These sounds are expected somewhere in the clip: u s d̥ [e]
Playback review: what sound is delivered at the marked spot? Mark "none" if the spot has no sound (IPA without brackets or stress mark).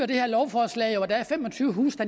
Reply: æ